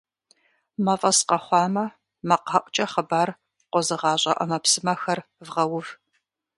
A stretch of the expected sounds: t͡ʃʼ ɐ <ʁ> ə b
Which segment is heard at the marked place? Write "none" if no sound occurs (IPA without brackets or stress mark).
χ